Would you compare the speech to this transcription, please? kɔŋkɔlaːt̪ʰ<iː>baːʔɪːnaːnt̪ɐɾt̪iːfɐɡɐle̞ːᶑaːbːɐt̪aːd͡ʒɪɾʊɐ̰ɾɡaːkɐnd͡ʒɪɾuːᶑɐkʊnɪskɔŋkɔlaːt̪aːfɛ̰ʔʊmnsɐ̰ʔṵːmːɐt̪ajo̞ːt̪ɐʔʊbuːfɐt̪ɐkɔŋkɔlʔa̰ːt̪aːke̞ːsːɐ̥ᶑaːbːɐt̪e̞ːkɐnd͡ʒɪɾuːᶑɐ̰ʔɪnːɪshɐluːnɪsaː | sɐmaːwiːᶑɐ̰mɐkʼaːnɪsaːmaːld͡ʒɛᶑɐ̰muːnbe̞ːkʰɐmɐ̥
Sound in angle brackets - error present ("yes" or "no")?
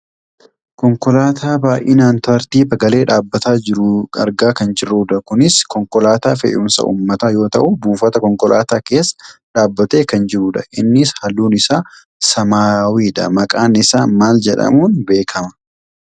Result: yes